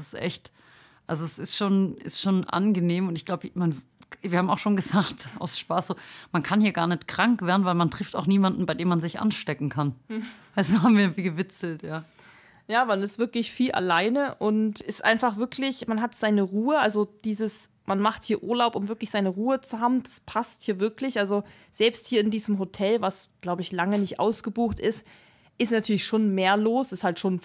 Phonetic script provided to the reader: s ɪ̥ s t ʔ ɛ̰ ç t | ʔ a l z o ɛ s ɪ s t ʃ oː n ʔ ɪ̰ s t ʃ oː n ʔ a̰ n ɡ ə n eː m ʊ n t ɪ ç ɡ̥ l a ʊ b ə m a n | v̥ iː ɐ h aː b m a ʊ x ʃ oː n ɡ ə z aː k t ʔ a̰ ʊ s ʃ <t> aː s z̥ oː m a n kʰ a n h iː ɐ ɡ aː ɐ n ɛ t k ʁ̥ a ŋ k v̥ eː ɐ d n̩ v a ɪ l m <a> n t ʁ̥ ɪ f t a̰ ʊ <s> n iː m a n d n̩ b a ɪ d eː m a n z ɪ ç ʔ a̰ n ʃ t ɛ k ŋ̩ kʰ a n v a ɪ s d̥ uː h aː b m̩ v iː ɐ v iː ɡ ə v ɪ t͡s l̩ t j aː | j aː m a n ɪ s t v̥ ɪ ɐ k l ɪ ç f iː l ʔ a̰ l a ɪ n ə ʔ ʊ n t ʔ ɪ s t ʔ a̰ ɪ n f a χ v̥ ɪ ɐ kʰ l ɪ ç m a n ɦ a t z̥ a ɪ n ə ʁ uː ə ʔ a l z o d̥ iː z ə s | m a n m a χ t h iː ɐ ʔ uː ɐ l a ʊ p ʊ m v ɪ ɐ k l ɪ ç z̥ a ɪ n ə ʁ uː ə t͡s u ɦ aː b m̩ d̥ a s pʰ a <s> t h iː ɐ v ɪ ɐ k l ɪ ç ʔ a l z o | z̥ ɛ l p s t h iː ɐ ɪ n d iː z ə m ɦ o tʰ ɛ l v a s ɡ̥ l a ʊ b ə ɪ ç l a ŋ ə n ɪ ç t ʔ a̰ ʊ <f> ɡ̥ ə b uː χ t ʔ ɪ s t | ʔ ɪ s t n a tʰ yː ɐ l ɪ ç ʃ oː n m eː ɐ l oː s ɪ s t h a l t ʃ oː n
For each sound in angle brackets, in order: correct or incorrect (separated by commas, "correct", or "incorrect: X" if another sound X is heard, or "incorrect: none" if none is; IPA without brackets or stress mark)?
incorrect: p, correct, incorrect: x, correct, incorrect: s